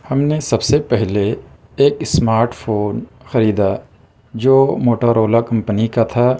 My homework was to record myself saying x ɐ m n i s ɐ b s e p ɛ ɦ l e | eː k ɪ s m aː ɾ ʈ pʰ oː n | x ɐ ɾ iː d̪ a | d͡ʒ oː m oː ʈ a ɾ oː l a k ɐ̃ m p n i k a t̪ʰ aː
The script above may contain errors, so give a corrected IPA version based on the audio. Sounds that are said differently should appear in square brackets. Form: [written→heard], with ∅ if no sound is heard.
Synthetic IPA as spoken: [x→h] ɐ m n [i→e] s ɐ b s e p ɛ ɦ l e | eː k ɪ s m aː ɾ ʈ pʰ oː n | x ɐ ɾ iː d̪ a | d͡ʒ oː m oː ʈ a ɾ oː l a k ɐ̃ m p n i k a t̪ʰ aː